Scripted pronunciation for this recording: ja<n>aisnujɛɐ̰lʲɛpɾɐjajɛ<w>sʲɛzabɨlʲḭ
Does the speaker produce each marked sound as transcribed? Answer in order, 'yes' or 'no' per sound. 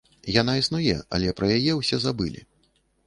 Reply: yes, yes

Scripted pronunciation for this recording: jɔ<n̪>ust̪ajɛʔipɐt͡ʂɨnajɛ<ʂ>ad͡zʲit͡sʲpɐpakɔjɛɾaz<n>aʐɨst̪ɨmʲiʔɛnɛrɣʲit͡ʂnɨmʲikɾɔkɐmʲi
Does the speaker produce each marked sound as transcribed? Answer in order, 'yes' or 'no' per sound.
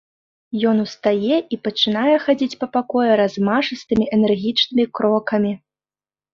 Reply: yes, no, no

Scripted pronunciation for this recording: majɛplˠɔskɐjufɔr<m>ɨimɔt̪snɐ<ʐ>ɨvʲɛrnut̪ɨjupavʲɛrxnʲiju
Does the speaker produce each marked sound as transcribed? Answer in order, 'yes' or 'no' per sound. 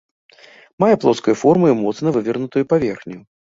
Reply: yes, no

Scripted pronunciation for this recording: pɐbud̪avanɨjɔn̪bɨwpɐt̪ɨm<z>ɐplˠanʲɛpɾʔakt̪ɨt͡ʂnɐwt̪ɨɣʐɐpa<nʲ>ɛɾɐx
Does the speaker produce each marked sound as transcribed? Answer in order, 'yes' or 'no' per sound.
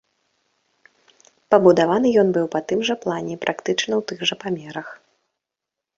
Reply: no, no

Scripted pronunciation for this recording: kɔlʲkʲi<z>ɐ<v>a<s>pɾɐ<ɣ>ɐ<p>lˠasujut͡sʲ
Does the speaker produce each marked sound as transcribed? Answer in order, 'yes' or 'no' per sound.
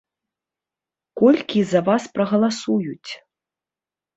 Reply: yes, yes, yes, yes, no

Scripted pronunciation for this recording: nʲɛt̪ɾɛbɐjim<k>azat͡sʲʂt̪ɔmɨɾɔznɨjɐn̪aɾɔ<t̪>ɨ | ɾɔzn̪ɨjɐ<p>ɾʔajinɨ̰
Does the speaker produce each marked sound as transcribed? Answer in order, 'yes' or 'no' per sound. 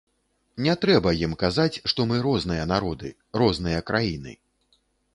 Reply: yes, no, no

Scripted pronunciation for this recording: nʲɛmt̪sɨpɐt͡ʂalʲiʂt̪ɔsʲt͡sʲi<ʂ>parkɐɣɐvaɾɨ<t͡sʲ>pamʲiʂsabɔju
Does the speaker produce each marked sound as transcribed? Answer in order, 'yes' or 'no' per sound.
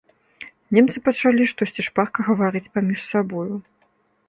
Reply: yes, yes

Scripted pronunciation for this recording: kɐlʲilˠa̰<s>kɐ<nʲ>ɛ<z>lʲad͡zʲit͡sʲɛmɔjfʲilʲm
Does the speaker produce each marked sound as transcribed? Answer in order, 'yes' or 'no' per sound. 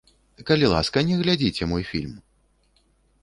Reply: yes, yes, no

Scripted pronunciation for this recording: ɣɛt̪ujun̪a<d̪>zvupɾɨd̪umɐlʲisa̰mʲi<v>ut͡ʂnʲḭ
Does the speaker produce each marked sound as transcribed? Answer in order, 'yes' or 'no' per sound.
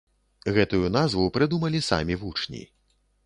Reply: no, yes

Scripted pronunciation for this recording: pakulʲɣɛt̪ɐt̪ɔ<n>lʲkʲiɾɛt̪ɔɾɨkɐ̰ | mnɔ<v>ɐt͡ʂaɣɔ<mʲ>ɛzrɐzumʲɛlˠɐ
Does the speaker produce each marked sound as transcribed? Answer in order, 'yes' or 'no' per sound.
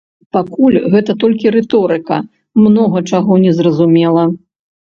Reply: no, no, no

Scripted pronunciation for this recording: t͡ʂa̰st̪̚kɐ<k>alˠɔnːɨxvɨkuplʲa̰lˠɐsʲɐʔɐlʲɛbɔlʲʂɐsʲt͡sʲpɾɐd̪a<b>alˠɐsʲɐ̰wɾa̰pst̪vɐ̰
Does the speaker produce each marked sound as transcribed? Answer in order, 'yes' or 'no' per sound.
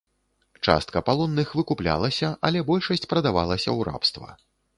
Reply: no, no

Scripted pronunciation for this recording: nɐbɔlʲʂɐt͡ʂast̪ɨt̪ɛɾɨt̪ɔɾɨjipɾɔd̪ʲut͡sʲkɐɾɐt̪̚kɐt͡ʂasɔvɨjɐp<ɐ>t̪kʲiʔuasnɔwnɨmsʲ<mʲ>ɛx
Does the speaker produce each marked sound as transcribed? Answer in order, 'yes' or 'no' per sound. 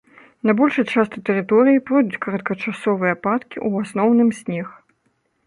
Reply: no, no

